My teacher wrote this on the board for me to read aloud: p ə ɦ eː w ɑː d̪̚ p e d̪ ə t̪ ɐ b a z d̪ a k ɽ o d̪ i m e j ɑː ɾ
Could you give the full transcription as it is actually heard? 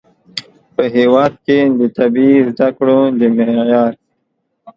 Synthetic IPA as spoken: p ə ɦ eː w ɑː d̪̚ k e d̪ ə t̪ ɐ b i z d̪ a k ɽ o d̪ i m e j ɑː ɾ